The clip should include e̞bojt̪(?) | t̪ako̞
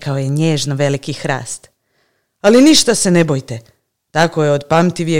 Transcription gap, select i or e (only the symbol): e